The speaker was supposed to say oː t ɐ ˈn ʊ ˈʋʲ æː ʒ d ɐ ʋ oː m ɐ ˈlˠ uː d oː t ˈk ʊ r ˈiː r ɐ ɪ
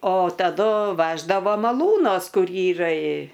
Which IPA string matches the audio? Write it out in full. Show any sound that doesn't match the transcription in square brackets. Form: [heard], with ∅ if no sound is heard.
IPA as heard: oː t ɐ [ˈd] ʊ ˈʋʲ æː ʒ d ɐ ʋ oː m ɐ ˈlˠ uː [n] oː [s] ˈk ʊ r ˈiː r ɐ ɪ